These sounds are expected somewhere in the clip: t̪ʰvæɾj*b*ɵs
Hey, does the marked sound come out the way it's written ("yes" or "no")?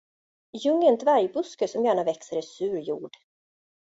yes